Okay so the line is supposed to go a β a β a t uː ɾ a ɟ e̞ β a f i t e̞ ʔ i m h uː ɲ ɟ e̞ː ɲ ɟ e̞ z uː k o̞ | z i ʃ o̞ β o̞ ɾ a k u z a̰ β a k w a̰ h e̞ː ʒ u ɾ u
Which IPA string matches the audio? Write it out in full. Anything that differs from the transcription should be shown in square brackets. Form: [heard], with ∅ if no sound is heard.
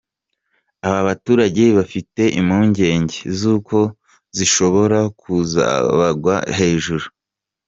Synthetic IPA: a β a β a t uː ɾ a ɟ e̞ β a f i t e̞ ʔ i m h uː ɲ ɟ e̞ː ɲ ɟ e̞ z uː k o̞ | z i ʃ o̞ β o̞ ɾ a k u z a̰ β a [ɡ] w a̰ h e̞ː ʒ u ɾ u